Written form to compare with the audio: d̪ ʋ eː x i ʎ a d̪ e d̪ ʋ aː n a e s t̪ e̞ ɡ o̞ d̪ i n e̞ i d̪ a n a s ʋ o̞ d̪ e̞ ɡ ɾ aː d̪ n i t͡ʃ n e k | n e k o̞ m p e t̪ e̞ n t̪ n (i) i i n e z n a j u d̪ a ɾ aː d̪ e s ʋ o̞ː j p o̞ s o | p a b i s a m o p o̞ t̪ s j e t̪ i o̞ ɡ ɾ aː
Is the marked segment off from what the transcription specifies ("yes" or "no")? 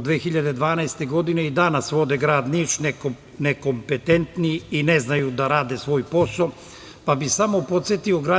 no